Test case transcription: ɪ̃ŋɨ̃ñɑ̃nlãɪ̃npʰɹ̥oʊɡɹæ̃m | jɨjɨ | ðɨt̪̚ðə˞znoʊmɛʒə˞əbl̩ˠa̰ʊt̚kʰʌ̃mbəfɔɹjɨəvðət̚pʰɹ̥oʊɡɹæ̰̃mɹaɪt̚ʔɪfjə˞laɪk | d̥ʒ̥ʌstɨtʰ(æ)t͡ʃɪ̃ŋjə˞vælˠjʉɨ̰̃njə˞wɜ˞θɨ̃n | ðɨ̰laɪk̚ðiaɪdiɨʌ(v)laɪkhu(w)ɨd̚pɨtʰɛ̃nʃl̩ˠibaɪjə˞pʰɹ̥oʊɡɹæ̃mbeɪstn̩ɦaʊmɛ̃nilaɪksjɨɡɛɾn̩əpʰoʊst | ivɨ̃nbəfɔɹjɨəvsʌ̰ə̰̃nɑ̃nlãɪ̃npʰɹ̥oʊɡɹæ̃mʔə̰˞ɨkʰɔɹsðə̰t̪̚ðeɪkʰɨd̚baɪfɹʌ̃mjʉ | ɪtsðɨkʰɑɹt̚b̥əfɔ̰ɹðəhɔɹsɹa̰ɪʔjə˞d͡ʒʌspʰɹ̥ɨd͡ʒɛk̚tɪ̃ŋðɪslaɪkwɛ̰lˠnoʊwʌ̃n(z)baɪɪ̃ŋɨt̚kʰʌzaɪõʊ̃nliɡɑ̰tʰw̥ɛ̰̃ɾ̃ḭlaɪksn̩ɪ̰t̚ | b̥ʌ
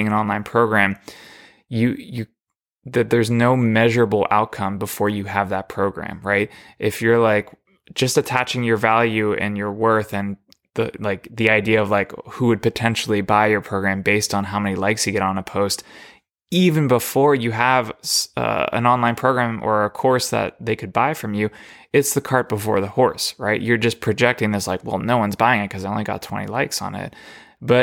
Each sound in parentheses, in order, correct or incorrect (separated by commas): correct, correct, correct, correct